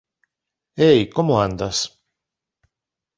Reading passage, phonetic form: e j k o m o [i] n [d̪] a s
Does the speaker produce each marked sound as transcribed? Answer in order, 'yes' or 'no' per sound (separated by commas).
no, yes